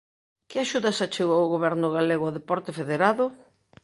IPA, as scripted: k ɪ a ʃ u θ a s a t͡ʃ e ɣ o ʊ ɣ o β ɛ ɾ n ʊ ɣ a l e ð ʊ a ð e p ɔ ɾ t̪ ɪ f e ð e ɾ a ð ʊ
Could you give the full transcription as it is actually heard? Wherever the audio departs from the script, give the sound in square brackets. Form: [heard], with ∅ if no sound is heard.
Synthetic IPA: k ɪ a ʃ u [ð] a s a t͡ʃ e ɣ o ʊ ɣ o β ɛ ɾ n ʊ ɣ a l e [ɣ] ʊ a ð e p ɔ ɾ t̪ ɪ f e ð e ɾ a ð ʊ